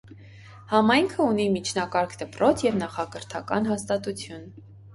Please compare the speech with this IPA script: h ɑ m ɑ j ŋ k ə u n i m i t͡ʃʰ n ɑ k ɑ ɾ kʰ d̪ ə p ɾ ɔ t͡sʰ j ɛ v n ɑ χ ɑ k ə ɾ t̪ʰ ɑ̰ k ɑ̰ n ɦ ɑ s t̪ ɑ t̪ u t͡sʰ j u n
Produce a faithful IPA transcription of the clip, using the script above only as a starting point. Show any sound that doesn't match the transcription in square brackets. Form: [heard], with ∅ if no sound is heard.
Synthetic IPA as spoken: h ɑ m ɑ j ŋ [kʰ] ə u n i m i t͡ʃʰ n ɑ k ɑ ɾ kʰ d̪ ə p ɾ ɔ t͡sʰ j ɛ v n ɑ χ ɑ k ə ɾ t̪ʰ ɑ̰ k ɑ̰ n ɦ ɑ s t̪ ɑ t̪ u t͡sʰ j u n